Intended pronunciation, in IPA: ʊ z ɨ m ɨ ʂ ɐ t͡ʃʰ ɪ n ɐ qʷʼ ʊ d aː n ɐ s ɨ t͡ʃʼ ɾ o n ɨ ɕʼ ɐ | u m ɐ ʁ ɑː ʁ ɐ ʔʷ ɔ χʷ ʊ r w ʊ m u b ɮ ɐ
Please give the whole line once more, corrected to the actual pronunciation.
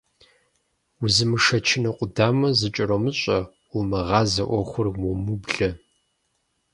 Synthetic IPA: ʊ z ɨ m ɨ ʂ ɐ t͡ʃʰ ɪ n ɐ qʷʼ ʊ d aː m ɐ z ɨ t͡ʃʼ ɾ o m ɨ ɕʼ ɐ | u m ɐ ʁ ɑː z ɐ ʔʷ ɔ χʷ ʊ r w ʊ m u b ɮ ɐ